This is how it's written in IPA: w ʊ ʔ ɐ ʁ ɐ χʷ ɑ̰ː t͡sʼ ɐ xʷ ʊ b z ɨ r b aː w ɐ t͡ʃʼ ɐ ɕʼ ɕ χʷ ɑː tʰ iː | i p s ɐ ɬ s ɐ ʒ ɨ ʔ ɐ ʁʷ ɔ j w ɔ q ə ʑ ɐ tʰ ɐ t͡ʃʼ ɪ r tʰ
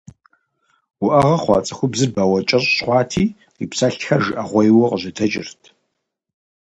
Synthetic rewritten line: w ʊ ʔ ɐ ʁ ɐ χʷ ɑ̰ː t͡sʼ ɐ xʷ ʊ b z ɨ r b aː w ɐ t͡ʃʼ ɐ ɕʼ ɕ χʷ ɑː tʰ iː | i p s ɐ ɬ x ɐ ʒ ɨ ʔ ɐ ʁʷ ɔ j w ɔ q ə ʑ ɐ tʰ ɐ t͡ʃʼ ɪ r tʰ